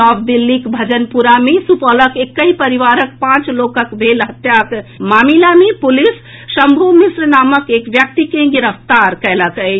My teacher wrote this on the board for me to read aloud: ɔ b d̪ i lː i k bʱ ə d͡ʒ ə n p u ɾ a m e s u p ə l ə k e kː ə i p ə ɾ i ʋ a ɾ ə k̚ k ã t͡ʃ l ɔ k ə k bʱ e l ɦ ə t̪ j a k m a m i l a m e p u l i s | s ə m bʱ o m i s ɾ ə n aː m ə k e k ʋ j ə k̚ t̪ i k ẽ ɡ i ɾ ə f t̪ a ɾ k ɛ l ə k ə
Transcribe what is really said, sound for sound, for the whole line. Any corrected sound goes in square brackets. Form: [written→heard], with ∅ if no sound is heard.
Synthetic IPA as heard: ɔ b d̪ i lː i k bʱ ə d͡ʒ ə n p u ɾ a m e s u p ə l ə k e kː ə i p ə ɾ i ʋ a ɾ ə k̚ [k→p] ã t͡ʃ l [ɔ→o] k ə k bʱ e l ɦ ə t̪ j a k m a m i l a m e p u l i s | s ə m bʱ o m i s ɾ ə n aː m ə k e k ʋ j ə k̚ t̪ i k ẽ ɡ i ɾ ə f t̪ a ɾ k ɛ l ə k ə